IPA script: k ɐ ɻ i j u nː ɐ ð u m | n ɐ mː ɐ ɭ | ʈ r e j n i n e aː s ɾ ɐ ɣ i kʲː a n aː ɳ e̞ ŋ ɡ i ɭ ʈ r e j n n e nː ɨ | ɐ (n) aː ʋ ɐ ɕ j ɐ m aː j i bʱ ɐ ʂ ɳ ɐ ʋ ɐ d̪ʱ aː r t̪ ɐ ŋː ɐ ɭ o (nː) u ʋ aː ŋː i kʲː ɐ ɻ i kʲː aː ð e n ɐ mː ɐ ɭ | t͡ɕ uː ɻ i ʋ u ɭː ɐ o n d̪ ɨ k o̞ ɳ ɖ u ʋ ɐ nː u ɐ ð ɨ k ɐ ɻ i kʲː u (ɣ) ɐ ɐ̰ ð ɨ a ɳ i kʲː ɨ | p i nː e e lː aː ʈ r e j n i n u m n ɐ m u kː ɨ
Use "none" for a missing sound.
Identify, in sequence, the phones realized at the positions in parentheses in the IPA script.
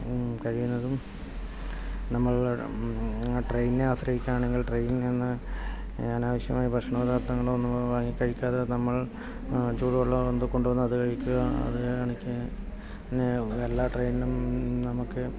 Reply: n, nː, ɣ

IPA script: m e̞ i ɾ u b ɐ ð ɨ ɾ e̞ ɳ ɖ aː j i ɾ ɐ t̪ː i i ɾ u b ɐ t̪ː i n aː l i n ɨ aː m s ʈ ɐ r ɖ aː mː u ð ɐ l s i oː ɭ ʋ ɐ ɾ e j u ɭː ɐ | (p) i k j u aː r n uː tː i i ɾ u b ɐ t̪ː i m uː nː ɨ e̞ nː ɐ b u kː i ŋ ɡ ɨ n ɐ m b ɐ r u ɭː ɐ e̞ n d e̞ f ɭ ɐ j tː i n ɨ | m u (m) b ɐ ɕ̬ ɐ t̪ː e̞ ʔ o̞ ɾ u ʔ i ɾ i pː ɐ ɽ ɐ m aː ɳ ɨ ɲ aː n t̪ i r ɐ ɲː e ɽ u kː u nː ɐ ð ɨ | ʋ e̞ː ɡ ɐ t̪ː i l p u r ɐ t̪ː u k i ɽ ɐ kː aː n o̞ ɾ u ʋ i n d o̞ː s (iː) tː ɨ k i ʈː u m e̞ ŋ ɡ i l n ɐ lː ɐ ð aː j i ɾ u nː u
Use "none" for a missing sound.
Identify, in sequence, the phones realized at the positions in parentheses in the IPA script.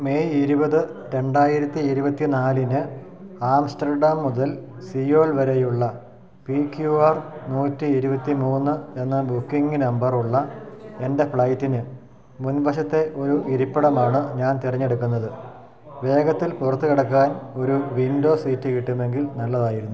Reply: p, n, iː

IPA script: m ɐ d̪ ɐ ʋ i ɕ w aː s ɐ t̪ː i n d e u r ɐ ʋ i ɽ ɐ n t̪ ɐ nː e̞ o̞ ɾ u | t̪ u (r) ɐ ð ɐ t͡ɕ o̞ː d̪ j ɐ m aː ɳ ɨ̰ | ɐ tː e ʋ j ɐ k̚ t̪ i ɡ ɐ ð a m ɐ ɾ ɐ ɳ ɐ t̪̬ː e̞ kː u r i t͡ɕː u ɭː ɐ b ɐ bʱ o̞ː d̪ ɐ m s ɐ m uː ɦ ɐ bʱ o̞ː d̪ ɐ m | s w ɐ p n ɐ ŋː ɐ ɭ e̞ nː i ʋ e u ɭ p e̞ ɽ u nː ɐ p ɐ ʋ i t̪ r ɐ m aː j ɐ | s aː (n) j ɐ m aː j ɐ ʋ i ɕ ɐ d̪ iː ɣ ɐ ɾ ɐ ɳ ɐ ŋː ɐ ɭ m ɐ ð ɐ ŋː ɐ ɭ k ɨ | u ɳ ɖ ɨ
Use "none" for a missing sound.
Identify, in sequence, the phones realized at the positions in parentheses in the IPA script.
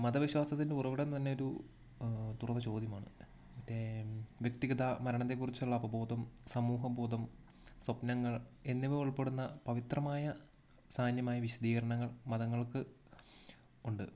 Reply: r, n

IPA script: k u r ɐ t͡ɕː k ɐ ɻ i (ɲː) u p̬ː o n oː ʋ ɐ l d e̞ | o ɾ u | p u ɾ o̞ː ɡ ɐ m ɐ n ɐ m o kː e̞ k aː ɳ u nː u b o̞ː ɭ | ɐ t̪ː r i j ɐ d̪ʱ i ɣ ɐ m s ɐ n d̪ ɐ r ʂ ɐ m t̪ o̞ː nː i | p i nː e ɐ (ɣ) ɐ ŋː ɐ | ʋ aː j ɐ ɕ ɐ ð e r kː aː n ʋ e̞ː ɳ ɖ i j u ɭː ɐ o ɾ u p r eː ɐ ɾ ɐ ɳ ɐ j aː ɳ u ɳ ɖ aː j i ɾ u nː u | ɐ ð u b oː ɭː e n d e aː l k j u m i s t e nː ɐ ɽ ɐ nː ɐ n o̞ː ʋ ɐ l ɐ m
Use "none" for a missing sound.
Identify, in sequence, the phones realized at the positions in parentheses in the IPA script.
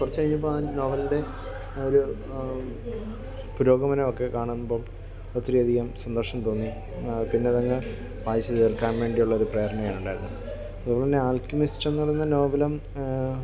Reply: ɲː, ð

